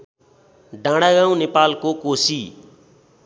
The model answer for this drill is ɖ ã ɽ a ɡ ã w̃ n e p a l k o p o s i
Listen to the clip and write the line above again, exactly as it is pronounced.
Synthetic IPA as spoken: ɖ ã ɽ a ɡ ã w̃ n e p a l k o k o s i